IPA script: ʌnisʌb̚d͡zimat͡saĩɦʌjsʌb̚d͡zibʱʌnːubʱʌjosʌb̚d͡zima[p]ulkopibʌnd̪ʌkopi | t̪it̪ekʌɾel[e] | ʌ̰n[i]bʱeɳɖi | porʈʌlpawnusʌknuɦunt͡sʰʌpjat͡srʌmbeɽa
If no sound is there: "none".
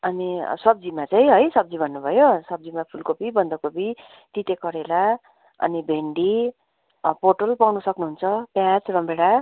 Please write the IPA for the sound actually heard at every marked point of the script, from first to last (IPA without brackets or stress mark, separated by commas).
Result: pʰ, a, i